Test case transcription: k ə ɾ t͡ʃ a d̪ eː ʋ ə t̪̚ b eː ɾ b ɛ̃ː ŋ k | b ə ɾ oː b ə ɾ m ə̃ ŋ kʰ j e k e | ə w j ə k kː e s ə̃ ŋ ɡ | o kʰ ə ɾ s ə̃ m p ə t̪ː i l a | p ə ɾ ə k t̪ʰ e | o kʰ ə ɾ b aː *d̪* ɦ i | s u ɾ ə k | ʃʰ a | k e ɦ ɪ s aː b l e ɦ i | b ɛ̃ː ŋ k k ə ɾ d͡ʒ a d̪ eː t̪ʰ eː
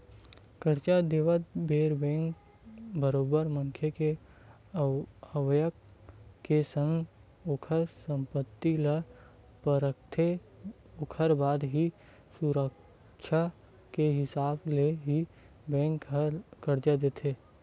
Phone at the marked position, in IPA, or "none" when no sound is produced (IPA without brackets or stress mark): d̪